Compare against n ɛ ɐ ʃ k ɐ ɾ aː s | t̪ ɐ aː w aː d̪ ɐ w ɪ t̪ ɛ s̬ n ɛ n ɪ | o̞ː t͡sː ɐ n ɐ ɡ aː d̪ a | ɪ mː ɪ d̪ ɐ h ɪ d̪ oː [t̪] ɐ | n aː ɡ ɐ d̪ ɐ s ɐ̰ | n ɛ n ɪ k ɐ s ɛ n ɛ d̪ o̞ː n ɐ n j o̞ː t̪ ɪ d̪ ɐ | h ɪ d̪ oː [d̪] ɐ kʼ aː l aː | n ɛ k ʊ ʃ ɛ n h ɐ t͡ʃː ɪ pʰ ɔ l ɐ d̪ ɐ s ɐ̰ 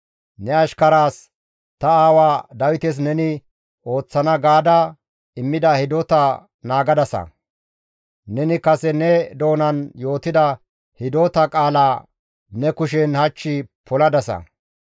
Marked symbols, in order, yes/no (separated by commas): yes, no